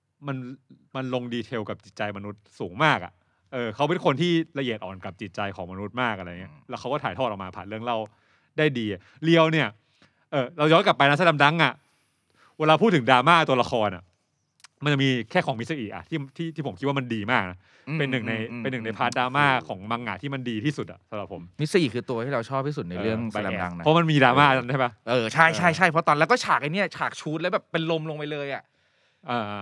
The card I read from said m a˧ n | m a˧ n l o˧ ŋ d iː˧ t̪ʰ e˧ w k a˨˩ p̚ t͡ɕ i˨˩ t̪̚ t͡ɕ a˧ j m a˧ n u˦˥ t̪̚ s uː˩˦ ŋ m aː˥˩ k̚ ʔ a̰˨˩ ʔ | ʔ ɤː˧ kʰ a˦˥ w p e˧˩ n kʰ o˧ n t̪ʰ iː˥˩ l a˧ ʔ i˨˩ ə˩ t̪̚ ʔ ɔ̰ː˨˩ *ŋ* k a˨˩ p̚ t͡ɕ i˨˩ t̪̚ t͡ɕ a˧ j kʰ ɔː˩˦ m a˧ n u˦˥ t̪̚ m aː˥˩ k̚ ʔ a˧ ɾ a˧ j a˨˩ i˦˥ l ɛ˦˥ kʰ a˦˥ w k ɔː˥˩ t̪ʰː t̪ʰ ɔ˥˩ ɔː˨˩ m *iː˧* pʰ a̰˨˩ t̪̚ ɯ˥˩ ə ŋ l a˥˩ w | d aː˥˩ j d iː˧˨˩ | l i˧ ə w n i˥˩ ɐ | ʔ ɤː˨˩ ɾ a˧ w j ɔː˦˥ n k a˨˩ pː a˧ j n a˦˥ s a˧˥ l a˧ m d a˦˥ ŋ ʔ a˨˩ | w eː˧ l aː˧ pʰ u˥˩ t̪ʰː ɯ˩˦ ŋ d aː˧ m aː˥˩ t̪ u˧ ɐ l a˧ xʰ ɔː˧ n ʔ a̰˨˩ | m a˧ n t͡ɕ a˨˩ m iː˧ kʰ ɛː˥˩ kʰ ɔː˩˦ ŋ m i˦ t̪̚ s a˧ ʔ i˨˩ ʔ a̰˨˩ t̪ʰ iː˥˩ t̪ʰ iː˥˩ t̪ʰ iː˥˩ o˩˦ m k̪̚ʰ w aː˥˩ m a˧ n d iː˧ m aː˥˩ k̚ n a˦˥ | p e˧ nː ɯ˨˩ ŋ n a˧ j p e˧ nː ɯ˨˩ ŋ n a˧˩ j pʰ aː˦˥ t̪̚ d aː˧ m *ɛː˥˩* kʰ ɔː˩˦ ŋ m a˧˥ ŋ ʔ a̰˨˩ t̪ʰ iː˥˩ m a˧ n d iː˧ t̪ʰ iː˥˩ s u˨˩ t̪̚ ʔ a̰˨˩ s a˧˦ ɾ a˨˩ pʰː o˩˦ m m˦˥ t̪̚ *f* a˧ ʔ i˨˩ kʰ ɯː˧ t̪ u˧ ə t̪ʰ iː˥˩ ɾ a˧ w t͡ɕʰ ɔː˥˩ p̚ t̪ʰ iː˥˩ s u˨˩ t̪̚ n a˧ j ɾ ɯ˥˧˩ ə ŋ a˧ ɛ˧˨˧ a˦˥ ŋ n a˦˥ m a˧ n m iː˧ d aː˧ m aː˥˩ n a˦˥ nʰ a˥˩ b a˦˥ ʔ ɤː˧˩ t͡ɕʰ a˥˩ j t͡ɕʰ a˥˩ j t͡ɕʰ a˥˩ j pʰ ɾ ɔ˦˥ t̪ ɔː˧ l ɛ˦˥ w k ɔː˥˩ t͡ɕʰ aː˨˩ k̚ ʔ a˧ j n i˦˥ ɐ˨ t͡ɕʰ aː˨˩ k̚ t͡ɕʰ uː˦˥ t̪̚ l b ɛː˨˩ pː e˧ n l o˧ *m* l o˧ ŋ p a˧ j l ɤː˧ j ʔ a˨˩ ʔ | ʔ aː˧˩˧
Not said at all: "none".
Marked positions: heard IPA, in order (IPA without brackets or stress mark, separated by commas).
n, aː˧, aː˥˩, s, m